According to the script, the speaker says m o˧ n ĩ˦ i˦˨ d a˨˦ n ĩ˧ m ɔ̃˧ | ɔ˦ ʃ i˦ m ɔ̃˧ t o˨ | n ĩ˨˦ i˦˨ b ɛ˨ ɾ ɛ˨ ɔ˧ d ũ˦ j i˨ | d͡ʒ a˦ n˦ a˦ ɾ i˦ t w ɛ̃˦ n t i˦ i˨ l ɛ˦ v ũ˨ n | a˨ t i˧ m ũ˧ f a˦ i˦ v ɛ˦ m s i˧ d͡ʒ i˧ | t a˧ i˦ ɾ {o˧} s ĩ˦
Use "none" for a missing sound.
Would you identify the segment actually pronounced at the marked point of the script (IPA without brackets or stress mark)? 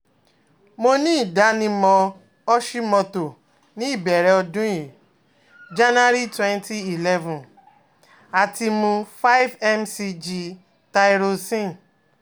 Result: o˧